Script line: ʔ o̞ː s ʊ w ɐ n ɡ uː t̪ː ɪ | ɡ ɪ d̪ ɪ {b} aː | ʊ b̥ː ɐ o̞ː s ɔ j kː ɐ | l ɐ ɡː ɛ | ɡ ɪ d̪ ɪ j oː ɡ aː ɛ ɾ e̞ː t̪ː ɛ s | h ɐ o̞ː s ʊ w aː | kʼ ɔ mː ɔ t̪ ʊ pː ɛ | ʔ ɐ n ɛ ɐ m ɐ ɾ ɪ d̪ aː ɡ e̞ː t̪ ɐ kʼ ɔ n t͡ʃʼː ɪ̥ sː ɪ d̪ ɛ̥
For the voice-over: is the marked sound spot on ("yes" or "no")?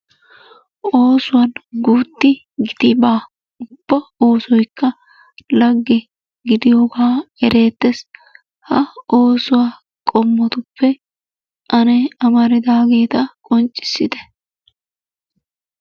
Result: yes